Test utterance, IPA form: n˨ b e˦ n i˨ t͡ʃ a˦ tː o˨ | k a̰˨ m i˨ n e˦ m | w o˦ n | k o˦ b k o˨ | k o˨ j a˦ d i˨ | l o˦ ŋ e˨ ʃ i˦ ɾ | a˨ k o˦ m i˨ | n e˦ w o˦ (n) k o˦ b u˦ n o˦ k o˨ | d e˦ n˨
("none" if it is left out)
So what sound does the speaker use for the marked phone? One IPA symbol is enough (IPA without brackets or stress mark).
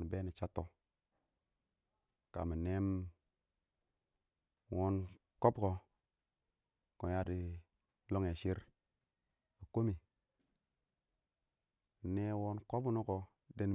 n